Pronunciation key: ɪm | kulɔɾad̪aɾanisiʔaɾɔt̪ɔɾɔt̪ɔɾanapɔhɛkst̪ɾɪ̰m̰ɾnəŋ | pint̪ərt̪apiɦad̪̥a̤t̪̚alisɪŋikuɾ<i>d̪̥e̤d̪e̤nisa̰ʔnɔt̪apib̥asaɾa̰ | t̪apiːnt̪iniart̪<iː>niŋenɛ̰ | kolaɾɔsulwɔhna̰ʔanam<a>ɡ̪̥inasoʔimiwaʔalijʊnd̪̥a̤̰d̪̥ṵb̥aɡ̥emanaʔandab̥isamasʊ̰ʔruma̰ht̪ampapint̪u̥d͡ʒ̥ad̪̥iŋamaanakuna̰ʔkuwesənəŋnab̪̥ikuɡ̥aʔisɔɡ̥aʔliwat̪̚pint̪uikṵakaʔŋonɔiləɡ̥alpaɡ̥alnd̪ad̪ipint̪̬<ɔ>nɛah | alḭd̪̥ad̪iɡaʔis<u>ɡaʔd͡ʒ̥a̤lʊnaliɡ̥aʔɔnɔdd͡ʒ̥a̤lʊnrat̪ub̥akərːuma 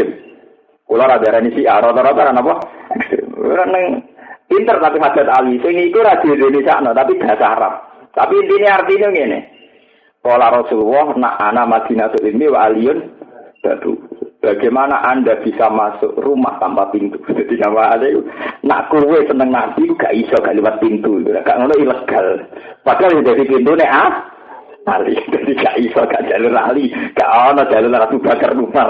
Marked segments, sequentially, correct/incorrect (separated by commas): incorrect, incorrect, correct, incorrect, incorrect